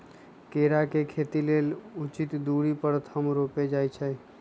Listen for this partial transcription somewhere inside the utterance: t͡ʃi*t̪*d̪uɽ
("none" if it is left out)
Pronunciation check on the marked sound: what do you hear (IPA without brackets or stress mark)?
t̪